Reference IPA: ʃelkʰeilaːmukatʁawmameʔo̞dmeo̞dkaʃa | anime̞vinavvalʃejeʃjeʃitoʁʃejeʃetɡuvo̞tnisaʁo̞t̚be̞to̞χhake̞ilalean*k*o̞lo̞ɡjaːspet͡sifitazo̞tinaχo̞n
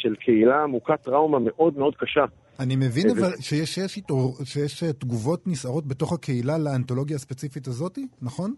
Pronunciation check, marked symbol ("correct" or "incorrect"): incorrect